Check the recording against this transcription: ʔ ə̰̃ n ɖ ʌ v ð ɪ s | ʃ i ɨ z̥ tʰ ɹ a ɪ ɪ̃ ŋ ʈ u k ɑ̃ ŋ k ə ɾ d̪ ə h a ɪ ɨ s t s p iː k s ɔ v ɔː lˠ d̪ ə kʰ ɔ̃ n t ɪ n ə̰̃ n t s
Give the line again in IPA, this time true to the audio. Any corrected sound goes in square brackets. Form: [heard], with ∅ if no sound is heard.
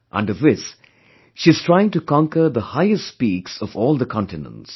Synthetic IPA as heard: ʔ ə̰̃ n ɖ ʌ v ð ɪ s | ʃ i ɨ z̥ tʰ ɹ a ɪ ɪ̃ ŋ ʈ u k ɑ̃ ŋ k ə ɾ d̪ ə h a ɪ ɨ s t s p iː k s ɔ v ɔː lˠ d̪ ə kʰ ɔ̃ n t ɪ n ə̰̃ n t s